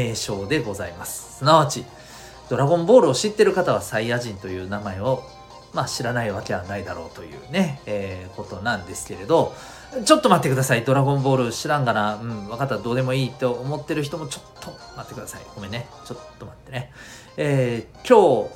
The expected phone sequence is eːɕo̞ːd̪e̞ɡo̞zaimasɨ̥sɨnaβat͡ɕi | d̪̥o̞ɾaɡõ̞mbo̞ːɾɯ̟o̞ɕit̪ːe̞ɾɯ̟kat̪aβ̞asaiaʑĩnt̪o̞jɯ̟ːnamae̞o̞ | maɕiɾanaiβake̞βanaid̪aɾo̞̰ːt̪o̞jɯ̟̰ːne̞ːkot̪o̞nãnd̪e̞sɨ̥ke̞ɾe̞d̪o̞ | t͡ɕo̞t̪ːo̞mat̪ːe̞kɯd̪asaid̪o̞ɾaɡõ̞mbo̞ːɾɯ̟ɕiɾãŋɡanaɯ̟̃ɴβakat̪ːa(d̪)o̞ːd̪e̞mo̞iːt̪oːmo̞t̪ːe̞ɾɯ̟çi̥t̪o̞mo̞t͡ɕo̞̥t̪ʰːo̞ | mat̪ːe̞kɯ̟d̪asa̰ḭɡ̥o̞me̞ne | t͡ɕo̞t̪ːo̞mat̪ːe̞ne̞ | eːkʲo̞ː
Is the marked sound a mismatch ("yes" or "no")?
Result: no